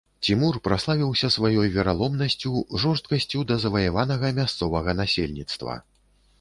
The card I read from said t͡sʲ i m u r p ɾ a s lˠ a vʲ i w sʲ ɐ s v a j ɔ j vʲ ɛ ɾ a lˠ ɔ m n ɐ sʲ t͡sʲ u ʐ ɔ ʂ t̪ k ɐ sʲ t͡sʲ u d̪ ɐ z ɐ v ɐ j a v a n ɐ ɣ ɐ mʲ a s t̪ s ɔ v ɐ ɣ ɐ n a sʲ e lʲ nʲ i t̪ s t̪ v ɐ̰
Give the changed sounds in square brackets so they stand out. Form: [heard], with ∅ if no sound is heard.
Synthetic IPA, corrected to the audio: t͡sʲ i m u r p ɾ a s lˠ a vʲ i w sʲ ɐ s v a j ɔ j vʲ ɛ ɾ a lˠ ɔ m n ɐ sʲ t͡sʲ u ʐ ɔ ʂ t̪ k ɐ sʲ t͡sʲ u d̪ ɐ z ɐ v ɐ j a v a n ɐ ɣ ɐ mʲ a s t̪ s ɔ v ɐ ɣ ɐ n a sʲ e lʲ nʲ i t̪ s t̪ v ɐ̰